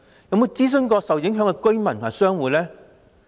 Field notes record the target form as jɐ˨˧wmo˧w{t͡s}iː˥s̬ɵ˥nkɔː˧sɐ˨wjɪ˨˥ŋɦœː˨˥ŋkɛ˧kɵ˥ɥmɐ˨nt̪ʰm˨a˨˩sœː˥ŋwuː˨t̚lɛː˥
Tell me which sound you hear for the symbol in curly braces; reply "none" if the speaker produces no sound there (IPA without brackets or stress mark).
t͡s